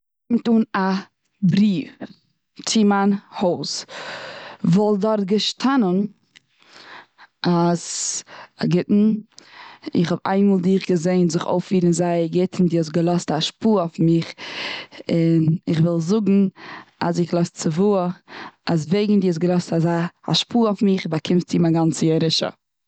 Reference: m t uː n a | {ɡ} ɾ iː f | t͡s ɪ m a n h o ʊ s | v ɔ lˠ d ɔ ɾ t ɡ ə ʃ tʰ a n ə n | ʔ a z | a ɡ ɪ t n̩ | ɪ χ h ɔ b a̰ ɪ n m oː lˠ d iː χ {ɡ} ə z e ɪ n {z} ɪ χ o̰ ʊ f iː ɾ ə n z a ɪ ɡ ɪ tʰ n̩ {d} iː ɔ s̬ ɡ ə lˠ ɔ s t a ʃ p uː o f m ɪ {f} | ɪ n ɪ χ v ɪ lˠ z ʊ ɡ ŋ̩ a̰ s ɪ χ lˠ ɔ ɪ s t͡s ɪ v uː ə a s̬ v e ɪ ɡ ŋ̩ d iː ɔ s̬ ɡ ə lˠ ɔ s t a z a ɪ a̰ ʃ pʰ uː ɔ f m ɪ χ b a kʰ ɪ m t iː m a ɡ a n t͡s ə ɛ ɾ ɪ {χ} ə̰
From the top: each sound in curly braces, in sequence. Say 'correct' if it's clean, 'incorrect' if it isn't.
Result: incorrect: b, correct, correct, correct, incorrect: χ, incorrect: ʃ

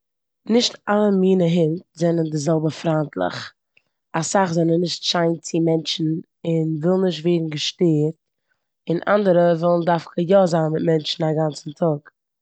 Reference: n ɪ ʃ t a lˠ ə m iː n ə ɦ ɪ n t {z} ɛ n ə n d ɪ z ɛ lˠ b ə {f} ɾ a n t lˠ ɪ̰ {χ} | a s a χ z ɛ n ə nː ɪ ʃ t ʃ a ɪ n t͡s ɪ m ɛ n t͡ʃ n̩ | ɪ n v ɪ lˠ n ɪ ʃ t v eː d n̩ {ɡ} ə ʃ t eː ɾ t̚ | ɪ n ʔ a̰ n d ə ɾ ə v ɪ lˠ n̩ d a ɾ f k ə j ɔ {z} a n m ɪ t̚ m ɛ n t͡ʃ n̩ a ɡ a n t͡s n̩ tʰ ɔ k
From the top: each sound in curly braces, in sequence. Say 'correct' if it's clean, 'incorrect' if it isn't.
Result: correct, correct, correct, correct, correct

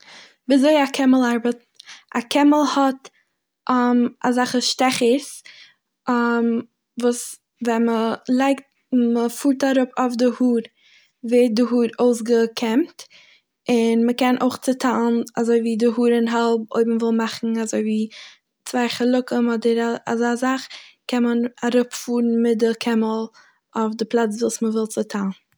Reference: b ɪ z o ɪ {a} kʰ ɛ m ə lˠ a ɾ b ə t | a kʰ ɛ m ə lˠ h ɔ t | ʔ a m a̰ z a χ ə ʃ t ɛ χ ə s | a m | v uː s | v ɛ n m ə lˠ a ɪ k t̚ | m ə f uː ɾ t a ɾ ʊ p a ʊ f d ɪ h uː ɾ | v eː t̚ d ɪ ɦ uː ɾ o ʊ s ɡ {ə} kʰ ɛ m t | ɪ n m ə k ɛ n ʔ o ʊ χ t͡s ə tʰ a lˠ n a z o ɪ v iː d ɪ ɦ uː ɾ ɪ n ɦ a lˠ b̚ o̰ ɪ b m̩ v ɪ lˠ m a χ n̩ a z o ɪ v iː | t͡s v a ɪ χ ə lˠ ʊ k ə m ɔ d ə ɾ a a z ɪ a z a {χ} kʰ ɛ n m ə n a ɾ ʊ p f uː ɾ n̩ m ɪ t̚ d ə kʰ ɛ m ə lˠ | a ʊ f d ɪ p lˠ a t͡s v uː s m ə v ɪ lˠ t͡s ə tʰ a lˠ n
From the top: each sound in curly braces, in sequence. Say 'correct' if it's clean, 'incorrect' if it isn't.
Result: correct, correct, correct

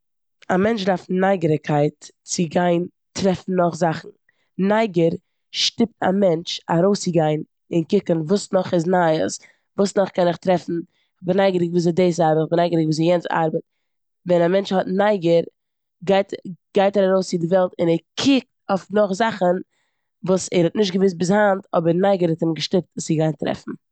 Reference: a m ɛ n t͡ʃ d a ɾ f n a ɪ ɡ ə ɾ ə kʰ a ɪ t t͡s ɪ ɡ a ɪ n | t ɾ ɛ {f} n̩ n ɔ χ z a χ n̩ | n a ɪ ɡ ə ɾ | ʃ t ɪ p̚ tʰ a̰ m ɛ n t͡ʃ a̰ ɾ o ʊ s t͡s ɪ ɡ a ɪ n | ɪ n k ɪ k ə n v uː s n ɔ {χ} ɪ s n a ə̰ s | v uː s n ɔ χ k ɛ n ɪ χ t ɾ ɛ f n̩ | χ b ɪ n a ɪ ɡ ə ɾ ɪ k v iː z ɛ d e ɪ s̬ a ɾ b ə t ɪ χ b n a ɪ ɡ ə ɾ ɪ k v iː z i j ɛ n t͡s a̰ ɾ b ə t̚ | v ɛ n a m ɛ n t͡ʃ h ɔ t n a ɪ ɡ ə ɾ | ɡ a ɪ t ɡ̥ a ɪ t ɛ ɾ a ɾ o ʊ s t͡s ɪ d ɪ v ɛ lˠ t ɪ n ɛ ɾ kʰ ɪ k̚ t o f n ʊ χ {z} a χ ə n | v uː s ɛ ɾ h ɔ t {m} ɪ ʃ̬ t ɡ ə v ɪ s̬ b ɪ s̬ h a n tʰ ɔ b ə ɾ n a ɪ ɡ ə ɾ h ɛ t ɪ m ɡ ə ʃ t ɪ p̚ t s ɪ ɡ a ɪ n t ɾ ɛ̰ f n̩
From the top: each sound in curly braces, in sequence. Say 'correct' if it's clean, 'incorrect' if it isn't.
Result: correct, correct, correct, incorrect: n

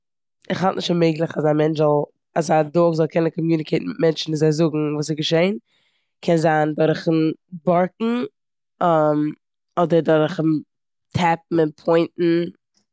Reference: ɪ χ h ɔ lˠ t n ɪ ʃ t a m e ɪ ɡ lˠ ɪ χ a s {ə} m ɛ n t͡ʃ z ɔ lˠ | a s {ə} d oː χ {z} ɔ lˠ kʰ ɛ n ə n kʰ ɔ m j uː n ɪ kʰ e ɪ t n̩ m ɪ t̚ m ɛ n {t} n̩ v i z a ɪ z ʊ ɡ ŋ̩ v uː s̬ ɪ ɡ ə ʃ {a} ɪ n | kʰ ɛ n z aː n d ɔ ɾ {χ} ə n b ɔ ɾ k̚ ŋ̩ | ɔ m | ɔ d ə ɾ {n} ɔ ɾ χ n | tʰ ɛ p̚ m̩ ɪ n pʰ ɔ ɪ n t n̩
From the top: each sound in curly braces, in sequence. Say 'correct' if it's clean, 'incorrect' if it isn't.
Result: incorrect: a, incorrect: a, correct, incorrect: t͡ʃ, incorrect: e, correct, incorrect: d

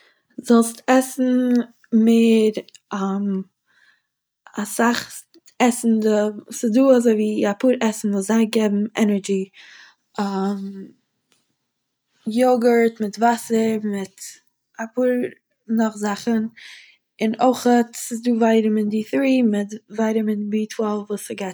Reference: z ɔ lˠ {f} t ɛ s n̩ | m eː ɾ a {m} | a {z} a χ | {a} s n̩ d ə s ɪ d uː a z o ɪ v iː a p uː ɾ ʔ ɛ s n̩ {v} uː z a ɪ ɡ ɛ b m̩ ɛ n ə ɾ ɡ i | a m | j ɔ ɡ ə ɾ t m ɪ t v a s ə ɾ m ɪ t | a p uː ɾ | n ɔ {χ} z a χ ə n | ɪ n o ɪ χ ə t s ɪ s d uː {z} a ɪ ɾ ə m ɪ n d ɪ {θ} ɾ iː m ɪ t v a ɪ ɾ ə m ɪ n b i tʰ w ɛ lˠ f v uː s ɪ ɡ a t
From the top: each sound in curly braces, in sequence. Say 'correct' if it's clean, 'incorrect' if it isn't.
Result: incorrect: s, correct, incorrect: s, incorrect: ɛ, correct, correct, incorrect: v, correct

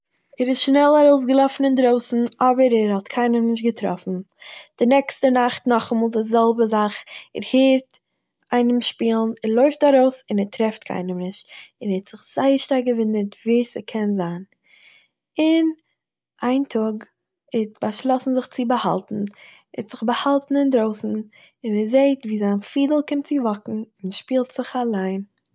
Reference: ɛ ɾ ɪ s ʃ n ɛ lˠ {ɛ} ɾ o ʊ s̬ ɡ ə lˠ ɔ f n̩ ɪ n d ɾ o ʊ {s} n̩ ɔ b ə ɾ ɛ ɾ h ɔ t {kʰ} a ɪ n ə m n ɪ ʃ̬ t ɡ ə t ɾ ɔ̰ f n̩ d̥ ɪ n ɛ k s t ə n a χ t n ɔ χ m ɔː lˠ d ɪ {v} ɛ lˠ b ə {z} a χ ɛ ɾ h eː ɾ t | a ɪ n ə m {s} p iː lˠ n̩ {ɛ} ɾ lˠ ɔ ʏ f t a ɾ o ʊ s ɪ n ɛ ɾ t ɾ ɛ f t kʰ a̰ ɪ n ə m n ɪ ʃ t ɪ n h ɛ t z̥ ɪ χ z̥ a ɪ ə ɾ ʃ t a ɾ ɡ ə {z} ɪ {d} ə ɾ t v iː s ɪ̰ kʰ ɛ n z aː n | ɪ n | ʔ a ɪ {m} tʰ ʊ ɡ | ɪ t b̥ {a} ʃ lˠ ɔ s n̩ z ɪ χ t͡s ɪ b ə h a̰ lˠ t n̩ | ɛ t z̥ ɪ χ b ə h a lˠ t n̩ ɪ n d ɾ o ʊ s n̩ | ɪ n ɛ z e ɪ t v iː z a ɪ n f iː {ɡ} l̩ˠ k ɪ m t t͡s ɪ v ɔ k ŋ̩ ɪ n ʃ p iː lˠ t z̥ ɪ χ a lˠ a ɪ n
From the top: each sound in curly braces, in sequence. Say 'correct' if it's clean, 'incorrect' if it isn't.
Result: incorrect: a, correct, correct, incorrect: z, correct, incorrect: ʃ, correct, incorrect: v, incorrect: n, incorrect: n, correct, incorrect: d

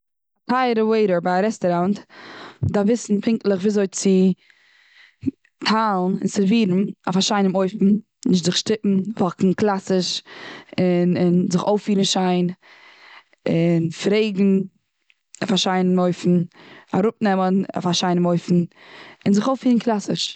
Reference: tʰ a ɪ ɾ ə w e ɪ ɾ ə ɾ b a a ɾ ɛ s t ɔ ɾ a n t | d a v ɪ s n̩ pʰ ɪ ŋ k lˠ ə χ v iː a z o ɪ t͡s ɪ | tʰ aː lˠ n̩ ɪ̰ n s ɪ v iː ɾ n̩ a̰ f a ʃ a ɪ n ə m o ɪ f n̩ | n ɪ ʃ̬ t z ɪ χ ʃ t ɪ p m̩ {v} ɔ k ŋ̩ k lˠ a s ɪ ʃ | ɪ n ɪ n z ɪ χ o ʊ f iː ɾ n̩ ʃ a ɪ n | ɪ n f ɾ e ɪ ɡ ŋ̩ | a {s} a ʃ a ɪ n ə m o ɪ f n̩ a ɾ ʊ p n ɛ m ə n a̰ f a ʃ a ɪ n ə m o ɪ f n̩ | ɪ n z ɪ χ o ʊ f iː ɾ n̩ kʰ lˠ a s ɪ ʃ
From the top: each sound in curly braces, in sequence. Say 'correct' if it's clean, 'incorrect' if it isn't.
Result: correct, incorrect: f

